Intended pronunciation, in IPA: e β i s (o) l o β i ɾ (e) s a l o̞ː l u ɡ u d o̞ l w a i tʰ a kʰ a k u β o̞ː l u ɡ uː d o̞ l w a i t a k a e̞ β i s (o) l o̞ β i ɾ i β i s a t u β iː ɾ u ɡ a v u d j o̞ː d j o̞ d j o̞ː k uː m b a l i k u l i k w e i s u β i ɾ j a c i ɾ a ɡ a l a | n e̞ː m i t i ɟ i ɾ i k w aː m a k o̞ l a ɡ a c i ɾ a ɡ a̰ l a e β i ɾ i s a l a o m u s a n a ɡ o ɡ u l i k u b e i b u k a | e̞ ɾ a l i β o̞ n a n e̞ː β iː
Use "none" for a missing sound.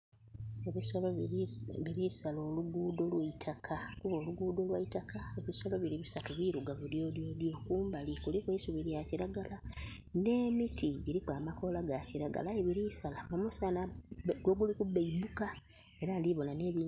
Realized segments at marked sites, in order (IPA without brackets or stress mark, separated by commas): o, i, o